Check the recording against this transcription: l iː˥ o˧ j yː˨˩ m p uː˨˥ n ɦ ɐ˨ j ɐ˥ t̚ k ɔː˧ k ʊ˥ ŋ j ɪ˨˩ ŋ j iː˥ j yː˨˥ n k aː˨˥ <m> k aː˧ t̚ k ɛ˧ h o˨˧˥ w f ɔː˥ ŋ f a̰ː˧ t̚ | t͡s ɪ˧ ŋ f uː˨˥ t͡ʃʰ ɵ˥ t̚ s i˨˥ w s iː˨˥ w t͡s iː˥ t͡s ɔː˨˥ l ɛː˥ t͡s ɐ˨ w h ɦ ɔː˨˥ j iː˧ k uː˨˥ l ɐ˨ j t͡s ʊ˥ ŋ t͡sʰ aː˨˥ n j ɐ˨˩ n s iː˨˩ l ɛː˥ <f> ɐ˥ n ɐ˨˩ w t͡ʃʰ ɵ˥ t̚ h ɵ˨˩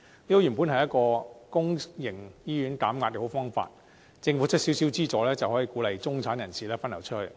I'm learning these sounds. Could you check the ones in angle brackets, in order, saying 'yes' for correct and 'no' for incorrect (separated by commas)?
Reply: yes, yes